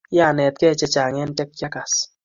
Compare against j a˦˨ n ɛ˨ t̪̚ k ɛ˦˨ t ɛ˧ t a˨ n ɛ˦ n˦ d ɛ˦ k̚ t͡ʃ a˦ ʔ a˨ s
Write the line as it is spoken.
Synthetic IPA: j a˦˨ n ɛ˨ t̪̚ k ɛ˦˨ t͡ʃ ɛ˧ t͡ʃ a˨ ŋ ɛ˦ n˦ t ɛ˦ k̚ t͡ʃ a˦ k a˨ s